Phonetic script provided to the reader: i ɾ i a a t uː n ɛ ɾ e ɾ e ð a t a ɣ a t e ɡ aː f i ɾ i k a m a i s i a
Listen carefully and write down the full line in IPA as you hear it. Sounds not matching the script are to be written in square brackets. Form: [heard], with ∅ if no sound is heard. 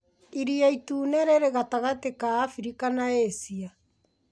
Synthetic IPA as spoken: i ɾ i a [i] t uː n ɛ ɾ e ɾ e [ɣ] a t a ɣ a t e [k] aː f i ɾ i k a [n] a [e] s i a